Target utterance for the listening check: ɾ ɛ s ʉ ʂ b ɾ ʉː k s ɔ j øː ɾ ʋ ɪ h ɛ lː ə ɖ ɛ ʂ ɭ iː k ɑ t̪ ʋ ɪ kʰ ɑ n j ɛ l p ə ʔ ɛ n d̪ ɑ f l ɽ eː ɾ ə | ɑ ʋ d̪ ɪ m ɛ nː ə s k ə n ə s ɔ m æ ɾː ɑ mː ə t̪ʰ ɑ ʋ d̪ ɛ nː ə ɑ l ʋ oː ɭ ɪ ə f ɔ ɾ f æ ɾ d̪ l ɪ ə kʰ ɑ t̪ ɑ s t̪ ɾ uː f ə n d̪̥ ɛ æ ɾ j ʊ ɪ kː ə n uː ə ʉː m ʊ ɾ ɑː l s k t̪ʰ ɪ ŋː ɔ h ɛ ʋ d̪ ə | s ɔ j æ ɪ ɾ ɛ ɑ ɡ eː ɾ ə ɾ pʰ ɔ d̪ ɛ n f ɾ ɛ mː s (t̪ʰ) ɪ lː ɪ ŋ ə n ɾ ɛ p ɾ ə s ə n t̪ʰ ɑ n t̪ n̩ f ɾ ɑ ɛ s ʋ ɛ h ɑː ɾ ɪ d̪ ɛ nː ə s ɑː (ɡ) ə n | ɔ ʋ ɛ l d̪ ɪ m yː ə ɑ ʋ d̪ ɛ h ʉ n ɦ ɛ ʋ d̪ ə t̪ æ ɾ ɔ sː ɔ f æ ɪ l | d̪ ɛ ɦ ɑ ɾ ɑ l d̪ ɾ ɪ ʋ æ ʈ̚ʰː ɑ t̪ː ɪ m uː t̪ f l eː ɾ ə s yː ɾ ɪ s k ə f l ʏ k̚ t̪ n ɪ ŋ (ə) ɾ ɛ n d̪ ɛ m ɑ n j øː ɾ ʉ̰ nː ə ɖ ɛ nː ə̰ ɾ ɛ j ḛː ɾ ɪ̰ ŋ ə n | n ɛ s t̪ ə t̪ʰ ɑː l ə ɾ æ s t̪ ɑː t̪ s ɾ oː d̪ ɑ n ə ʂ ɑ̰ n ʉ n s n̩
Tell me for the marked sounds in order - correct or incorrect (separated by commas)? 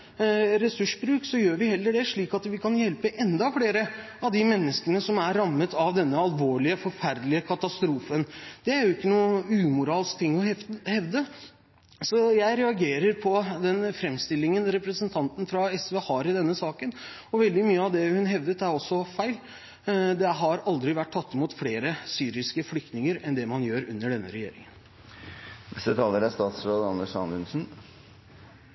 incorrect, incorrect, correct